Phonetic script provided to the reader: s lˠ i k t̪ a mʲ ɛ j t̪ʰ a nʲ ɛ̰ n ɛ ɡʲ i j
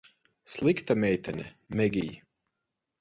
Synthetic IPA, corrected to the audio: s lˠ i k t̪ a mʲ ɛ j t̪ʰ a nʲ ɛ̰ m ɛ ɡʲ i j